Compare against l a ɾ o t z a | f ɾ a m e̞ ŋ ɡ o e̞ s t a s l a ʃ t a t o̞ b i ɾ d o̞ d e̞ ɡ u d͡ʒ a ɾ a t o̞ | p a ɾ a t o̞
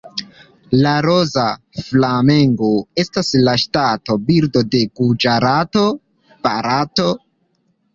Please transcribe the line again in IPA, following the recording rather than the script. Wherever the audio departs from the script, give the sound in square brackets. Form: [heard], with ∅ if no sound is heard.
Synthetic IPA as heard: l a ɾ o [∅] z a | f [l] a m e̞ ŋ ɡ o e̞ s t a s l a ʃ t a t o̞ b i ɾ d o̞ d e̞ ɡ u d͡ʒ a ɾ a t o̞ | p a ɾ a t o̞